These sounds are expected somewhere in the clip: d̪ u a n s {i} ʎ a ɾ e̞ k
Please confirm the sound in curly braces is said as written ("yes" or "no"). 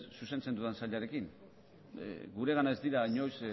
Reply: no